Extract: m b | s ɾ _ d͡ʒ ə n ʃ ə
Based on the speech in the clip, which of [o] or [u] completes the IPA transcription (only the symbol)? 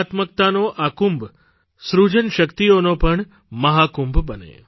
u